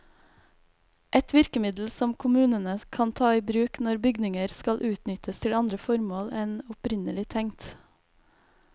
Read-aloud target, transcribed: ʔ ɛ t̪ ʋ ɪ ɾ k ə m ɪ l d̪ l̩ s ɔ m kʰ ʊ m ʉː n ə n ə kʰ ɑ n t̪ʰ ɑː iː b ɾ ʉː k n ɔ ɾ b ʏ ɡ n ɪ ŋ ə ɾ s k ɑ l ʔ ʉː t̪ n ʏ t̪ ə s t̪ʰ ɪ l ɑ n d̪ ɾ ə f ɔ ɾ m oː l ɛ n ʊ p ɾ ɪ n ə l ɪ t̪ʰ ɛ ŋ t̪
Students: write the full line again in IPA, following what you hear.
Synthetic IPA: ʔ ɛ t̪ ʋ ɪ ɾ k ə m ɪ d̪ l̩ s ɔ m kʰ ʊ m ʉː n ə n ə kʰ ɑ n t̪ʰ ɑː iː b ɾ ʉː k n ɔ ɾ b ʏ ɡ n ɪ ŋ ə ɾ s k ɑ l ʔ ʉː t̪ n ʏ t̪ ə s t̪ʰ ɪ l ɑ n d̪ ɾ ə f ɔ ɾ m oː l ɛ n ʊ p ɾ ɪ n ə l ɪ t̪ʰ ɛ ŋ t̪